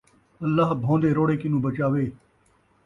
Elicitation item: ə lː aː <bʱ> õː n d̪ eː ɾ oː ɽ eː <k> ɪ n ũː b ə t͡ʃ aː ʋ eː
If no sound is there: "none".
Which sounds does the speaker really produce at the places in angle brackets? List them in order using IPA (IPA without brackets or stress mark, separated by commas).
bʱ, k